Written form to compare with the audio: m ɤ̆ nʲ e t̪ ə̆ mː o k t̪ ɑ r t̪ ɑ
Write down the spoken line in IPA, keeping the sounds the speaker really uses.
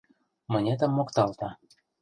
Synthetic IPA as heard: m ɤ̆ nʲ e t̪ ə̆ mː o k t̪ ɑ l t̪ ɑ